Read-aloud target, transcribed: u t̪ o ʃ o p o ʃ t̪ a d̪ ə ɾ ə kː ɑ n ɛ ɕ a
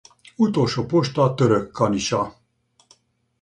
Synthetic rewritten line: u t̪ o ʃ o p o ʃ t̪ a t̪ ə ɾ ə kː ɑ n i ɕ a